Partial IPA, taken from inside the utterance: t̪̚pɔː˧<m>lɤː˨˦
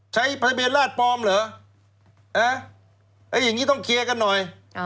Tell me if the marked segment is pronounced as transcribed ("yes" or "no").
yes